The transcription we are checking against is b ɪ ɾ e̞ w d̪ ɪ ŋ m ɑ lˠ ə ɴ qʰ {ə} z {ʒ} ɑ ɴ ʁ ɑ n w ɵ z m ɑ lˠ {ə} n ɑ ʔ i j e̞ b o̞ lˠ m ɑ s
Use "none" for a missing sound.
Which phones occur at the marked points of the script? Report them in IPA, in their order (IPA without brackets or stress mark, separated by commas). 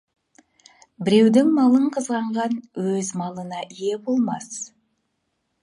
ə, ʁ, ə